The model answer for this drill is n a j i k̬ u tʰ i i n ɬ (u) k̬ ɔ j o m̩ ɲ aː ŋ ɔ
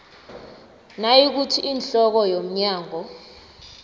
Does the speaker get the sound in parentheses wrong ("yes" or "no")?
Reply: yes